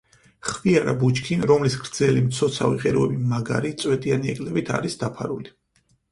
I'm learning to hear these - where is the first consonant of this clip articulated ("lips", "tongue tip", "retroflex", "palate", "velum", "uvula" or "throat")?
uvula